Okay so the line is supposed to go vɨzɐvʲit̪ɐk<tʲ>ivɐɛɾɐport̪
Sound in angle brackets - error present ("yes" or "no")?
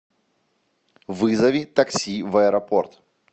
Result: yes